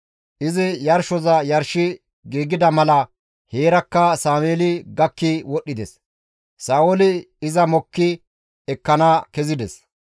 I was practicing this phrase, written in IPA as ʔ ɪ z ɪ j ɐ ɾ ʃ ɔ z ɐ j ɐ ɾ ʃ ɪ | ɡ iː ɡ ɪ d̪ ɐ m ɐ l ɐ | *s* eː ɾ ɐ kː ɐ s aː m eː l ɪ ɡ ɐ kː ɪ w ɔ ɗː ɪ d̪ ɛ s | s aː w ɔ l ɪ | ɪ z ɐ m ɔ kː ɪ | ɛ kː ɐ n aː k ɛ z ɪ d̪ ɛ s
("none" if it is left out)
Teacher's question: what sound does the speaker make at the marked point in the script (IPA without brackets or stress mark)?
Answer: h